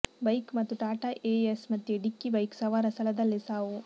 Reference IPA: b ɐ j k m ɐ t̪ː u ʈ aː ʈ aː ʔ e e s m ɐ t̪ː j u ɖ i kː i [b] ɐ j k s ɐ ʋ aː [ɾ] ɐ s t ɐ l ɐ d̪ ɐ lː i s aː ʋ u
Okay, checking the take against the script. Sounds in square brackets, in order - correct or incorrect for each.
correct, correct

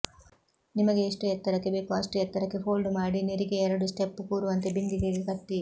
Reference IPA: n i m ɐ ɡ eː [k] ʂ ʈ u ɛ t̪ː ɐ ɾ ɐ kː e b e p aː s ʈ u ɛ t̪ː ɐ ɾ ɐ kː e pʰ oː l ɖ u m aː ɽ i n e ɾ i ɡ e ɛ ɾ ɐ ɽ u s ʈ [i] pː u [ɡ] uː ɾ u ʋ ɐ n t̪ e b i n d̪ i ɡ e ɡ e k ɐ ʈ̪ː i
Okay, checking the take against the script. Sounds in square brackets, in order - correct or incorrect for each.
incorrect, incorrect, incorrect

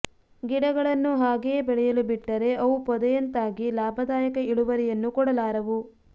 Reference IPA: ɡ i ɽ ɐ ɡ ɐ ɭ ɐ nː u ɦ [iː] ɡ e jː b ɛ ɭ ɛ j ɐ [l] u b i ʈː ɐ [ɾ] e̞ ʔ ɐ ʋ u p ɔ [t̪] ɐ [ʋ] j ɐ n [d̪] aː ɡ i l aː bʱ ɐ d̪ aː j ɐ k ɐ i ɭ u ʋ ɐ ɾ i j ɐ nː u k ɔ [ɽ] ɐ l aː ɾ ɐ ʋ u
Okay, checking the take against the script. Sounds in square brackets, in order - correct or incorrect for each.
incorrect, correct, correct, incorrect, incorrect, incorrect, correct

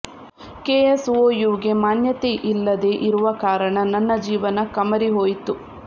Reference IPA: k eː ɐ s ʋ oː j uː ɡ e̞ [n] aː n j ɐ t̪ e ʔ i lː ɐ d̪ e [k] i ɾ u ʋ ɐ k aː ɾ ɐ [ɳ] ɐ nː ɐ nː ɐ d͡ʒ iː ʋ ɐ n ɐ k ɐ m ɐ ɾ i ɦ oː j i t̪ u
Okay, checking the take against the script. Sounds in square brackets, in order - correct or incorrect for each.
incorrect, incorrect, correct

